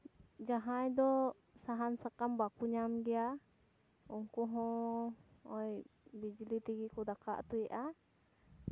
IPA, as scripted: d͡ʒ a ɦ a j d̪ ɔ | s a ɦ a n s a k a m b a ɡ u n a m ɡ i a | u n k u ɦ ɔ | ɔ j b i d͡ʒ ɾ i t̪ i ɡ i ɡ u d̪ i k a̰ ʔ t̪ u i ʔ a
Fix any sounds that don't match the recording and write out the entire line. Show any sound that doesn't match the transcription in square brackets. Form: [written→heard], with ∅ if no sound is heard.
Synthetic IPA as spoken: d͡ʒ a ɦ a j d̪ ɔ | s a ɦ a n s a k a m b a [ɡ→k] u [n→ɲ] a m ɡ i a | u [n→ŋ] k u ɦ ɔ | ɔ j b i d͡ʒ [ɾ→l] i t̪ i ɡ i [ɡ→k] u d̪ [i→a] k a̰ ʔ t̪ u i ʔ a